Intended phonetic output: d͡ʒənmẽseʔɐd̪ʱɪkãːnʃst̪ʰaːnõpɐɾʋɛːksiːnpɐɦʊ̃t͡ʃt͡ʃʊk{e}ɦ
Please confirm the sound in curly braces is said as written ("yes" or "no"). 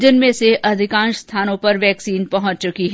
no